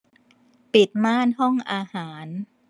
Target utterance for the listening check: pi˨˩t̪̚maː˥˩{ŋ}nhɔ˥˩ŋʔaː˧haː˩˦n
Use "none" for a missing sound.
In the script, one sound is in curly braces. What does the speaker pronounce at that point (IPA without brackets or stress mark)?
none